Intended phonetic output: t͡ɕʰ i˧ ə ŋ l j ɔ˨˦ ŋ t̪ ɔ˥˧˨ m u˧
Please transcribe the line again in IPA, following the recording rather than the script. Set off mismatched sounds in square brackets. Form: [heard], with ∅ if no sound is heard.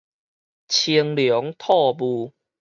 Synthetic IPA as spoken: t͡ɕʰ i˧ ə ŋ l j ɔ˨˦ ŋ [t̪ʰ] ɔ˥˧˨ [b] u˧